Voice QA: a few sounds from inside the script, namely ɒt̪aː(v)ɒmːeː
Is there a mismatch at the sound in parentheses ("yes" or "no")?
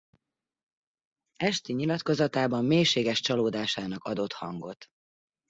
yes